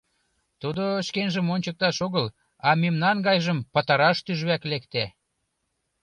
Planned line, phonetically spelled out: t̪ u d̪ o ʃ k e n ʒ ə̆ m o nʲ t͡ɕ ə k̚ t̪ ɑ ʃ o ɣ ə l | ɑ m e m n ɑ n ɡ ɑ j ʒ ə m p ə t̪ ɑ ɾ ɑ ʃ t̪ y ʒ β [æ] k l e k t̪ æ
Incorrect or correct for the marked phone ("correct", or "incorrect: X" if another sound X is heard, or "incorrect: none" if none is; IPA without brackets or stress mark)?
correct